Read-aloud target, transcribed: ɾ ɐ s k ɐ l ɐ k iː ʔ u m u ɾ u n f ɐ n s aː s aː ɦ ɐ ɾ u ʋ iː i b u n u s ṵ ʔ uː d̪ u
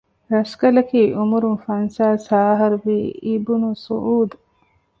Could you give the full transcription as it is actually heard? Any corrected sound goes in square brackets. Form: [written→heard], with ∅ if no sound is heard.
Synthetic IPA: ɾ ɐ s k ɐ l ɐ k iː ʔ u m u ɾ u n f ɐ n s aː s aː ɦ ɐ ɾ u ʋ iː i b u n u s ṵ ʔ uː d̪ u